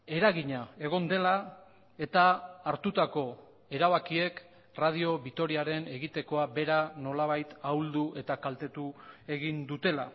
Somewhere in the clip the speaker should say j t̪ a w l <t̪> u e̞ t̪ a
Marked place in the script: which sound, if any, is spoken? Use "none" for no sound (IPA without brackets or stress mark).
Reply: d̪